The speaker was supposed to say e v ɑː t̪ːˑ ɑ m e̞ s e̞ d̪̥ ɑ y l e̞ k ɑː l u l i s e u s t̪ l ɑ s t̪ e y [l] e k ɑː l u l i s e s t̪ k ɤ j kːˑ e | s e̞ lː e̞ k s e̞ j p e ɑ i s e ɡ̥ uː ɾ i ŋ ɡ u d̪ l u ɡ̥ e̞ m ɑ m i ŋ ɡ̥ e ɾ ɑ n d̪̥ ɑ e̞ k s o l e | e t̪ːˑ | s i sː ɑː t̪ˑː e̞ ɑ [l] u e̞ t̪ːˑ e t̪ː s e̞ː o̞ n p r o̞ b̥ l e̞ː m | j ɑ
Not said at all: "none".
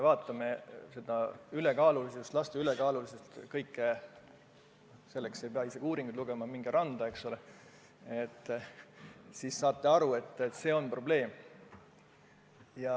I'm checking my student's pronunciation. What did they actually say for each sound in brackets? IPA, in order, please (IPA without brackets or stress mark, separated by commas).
l, ɾ